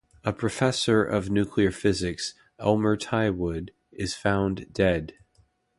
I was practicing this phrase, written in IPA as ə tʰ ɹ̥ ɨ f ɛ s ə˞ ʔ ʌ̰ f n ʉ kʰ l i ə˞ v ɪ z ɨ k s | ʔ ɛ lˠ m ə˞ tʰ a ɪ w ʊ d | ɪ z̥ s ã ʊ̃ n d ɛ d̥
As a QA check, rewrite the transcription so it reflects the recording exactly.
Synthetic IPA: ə pʰ ɹ̥ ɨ f ɛ s ə˞ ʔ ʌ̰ v n ʉ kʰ l i ə˞ f ɪ z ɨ k s | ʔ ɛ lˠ m ə˞ tʰ a ɪ w ʊ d | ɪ z̥ f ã ʊ̃ n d ɛ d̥